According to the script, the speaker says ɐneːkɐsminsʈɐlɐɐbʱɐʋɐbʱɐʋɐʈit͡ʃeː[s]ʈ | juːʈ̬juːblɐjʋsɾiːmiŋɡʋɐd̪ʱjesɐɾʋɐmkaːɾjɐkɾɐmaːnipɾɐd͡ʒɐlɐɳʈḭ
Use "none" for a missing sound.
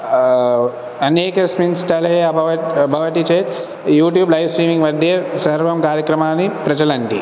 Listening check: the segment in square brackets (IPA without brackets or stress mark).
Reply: none